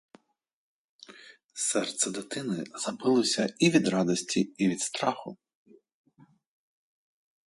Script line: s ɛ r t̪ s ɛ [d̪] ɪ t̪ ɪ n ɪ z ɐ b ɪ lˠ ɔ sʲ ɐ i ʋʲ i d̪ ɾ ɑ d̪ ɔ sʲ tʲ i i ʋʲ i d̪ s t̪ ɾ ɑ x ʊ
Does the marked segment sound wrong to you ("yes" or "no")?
no